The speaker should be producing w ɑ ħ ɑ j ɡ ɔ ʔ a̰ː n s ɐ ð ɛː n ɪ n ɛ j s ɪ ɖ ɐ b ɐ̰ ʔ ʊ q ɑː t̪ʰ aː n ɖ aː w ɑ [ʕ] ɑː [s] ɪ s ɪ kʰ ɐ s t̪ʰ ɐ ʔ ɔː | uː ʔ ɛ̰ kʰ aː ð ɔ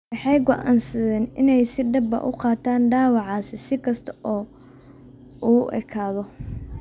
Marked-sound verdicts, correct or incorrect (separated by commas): correct, correct